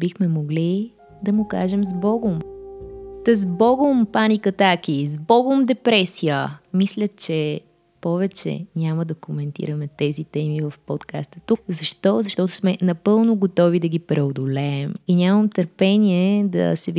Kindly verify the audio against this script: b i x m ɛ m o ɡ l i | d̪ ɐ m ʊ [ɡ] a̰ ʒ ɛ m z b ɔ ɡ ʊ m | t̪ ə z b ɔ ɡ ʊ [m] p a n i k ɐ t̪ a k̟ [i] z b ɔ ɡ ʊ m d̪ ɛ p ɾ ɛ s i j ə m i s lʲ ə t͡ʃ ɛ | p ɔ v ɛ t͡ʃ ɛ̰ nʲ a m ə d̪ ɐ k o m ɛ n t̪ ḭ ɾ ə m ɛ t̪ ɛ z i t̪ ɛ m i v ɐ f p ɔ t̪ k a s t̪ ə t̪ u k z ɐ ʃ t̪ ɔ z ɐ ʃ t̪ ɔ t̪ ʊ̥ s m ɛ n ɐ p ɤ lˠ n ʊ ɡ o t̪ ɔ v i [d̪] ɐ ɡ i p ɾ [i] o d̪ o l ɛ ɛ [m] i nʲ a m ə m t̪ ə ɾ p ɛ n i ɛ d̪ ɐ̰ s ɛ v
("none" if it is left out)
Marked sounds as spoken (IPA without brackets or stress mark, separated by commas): k, m, i, d̪, ɛ, m